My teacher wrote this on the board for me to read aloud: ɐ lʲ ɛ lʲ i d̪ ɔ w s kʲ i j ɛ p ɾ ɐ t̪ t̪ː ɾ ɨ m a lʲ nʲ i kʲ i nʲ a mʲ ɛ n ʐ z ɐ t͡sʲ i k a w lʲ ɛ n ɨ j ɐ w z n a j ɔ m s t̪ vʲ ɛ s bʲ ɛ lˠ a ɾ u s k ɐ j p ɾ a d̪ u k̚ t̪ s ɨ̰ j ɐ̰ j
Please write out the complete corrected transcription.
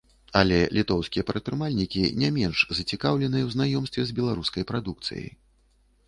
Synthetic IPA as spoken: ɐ lʲ ɛ lʲ i t̪ ɔ w s kʲ i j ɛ p ɾ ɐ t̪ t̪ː ɾ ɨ m a lʲ nʲ i kʲ i nʲ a mʲ ɛ n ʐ z ɐ t͡sʲ i k a w lʲ ɛ n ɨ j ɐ w z n a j ɔ m s t̪ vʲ ɛ z bʲ ɛ lˠ a ɾ u s k ɐ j p ɾ a d̪ u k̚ t̪ s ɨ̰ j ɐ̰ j